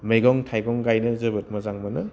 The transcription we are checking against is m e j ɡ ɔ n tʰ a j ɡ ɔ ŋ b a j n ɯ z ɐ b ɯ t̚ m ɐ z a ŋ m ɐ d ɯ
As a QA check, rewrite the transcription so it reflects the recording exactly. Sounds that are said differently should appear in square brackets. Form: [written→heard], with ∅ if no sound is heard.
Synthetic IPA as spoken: m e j ɡ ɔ [n→ŋ] tʰ a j ɡ ɔ ŋ [b→ɡ] a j n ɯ z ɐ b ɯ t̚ m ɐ z a ŋ m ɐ [d→n] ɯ